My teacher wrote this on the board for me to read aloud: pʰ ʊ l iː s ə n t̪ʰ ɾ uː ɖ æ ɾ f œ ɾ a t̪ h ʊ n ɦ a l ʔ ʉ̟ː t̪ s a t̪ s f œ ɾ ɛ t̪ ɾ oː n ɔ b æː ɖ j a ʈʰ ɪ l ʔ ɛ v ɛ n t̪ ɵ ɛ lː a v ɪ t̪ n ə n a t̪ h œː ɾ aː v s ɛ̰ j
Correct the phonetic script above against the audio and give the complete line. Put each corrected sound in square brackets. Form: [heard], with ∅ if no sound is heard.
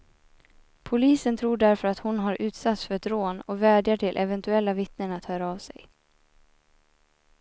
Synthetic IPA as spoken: pʰ ʊ l iː s ə n t̪ʰ ɾ uː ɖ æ ɾ f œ ɾ a t̪ h ʊ n ɦ a [ɾ] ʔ ʉ̟ː t̪ s a t̪ s f œ ɾ ɛ t̪ ɾ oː n ɔ [v] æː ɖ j a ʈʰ ɪ l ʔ ɛ v ɛ n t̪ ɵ ɛ lː a v ɪ t̪ n ə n a t̪ h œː ɾ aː v s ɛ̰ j

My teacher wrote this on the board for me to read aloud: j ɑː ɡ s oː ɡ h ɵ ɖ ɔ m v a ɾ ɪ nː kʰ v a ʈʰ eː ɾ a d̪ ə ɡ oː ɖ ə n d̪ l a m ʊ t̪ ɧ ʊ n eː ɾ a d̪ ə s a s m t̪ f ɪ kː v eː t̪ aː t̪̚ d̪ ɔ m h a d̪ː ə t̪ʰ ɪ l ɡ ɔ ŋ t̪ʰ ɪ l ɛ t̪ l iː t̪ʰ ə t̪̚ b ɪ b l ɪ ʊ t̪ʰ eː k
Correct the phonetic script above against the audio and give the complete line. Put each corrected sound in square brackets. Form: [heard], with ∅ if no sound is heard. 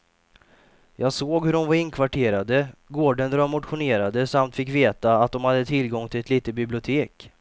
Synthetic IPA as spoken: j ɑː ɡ s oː ɡ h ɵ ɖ ɔ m v a ɾ ɪ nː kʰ v a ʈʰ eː ɾ a d̪ ə ɡ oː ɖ ə n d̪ [ɾ] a m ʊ t̪ ɧ ʊ n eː ɾ a d̪ ə s a [∅] m t̪ f ɪ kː v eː t̪ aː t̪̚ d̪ ɔ m h a d̪ː ə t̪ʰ ɪ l ɡ ɔ ŋ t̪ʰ ɪ l ɛ t̪ l iː [t̪] ə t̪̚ b ɪ b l ɪ ʊ t̪ʰ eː k

